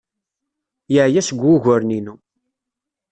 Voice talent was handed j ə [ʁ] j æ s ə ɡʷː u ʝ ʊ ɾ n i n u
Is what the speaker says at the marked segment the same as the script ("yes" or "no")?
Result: no